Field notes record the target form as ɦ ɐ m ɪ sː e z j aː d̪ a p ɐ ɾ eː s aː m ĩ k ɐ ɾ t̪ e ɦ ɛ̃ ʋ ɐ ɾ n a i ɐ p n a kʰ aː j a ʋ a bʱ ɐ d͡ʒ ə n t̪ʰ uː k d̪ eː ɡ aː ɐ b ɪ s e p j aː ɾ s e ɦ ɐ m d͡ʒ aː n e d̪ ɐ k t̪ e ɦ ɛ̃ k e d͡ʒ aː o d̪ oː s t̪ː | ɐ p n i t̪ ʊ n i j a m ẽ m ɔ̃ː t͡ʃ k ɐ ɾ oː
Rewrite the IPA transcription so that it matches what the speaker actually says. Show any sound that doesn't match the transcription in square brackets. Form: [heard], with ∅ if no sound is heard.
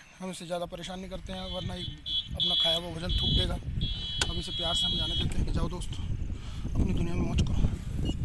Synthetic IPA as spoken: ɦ ɐ m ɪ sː e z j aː d̪ a p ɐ ɾ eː [ʃ] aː [n] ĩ k ɐ ɾ t̪ e ɦ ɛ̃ ʋ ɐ ɾ n a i ɐ p n a kʰ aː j a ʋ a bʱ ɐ d͡ʒ ə n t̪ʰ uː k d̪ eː ɡ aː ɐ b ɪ s e p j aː ɾ s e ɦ ɐ m d͡ʒ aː n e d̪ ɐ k t̪ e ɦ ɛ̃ k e d͡ʒ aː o d̪ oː s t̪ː | ɐ p n i [d̪] ʊ n i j a m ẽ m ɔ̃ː t͡ʃ k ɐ ɾ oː